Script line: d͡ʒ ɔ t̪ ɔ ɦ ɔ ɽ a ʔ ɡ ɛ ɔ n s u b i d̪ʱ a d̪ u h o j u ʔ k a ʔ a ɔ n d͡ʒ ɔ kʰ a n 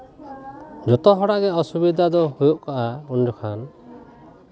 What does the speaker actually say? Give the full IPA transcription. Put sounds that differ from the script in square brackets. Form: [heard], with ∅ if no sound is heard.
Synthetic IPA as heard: d͡ʒ ɔ t̪ ɔ ɦ ɔ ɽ a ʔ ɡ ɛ ɔ [∅] s u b i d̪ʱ a d̪ [ɔ] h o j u ʔ k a ʔ a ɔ n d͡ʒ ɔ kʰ a n